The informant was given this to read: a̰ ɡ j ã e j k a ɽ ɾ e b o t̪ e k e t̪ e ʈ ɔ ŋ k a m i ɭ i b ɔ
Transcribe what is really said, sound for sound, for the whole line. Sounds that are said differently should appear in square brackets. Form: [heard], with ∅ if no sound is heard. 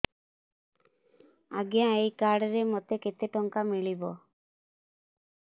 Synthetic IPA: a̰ ɡ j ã e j k a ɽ ɾ e [m] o t̪ e k e t̪ e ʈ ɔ ŋ k a m i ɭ i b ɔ